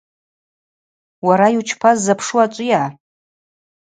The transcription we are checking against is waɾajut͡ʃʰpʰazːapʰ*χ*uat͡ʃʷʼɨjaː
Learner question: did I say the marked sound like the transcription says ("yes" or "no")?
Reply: no